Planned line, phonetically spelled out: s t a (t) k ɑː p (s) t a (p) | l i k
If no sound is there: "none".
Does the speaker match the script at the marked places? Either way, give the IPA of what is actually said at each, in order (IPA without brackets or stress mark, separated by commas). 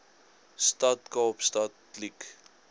t, s, t